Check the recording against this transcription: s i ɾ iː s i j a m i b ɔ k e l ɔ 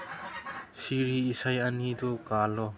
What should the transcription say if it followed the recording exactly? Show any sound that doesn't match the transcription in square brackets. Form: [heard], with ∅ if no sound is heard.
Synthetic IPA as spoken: s i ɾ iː s [a] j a [n] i [d] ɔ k [a] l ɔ